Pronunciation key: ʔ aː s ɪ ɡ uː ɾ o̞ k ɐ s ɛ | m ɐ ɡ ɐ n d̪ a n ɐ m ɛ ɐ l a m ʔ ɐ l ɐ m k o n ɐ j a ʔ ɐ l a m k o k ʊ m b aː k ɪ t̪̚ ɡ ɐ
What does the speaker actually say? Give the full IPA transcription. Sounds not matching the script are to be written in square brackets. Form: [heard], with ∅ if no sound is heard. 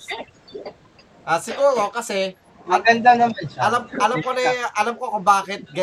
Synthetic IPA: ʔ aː s ɪ ɡ uː ɾ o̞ k ɐ s ɛ | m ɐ ɡ ɐ n d̪ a n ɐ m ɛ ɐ l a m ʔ ɐ l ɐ m k o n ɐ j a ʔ ɐ l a m k o k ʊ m b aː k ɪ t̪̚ ɡ ɐ